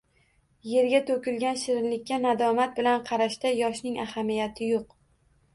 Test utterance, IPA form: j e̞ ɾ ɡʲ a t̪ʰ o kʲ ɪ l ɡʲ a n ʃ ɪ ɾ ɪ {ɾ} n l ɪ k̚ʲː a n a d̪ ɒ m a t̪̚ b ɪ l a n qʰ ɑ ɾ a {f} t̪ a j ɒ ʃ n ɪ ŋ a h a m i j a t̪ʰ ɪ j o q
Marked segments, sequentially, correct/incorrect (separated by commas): incorrect, incorrect